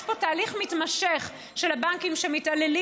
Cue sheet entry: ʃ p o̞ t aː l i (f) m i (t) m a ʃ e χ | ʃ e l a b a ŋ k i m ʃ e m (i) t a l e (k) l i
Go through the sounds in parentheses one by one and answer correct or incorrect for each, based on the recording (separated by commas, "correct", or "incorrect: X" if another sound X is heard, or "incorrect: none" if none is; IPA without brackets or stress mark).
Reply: incorrect: χ, correct, correct, incorrect: none